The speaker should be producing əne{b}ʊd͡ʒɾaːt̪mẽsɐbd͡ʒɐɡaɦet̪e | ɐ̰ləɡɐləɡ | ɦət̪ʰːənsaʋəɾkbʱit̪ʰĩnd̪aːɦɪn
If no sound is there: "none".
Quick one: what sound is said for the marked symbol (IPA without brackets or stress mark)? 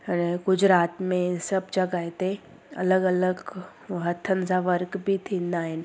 ɡ